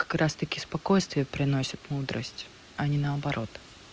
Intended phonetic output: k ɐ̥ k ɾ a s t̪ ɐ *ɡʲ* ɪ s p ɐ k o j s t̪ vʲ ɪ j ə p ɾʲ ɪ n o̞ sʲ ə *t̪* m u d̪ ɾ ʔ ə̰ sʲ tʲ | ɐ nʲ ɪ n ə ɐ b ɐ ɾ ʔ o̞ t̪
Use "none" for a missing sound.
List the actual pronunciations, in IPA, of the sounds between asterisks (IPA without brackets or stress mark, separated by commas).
kʲ, t̪